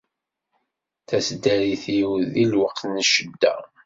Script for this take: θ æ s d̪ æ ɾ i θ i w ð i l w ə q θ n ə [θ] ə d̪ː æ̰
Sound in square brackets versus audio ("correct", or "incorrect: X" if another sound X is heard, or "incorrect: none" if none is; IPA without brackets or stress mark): incorrect: ʃ